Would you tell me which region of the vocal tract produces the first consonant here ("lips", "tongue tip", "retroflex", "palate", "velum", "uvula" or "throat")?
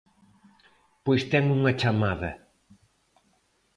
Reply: lips